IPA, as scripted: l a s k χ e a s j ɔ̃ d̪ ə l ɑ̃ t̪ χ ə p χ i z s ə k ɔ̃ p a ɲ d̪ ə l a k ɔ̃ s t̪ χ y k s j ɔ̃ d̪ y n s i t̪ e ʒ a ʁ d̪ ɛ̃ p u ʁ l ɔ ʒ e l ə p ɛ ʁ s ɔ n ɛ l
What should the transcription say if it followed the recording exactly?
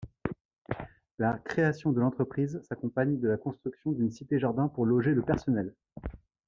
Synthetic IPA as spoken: l a k χ e a s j ɔ̃ d̪ ə l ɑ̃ t̪ χ ə p χ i z s a k ɔ̃ p a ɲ d̪ ə l a k ɔ̃ s t̪ χ y k s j ɔ̃ d̪ y n s i t̪ e ʒ a ʁ d̪ ɛ̃ p u ʁ l ɔ ʒ e l ə p ɛ ʁ s ɔ n ɛ l